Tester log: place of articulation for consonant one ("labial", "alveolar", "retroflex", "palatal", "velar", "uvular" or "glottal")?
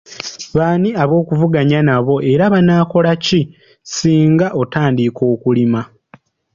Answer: labial